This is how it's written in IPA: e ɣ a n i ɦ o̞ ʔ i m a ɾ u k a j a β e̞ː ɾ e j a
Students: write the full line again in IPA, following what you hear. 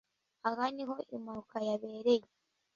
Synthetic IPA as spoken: a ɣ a n i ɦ o̞ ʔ i m a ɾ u k a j a β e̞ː ɾ e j e